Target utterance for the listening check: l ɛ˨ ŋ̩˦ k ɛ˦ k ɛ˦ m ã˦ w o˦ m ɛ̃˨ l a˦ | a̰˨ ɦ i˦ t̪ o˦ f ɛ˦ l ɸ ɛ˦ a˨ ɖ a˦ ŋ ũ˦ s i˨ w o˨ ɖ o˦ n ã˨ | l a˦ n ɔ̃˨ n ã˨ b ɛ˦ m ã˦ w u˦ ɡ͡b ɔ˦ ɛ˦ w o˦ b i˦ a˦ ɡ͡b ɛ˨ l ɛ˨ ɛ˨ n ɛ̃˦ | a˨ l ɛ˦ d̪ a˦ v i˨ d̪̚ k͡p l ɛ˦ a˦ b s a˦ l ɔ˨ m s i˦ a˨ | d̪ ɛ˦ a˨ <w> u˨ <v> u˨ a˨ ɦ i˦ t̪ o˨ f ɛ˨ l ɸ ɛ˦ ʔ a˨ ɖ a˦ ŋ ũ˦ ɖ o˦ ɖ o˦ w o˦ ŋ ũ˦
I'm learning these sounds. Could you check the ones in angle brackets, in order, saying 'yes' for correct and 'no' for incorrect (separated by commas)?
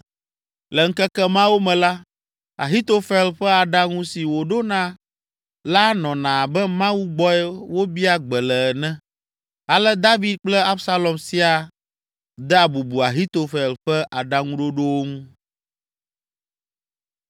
no, no